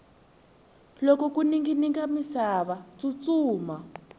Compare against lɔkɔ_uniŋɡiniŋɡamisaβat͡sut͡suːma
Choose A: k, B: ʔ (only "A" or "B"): A